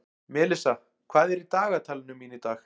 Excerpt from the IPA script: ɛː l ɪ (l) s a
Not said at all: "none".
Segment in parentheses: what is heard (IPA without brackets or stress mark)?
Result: none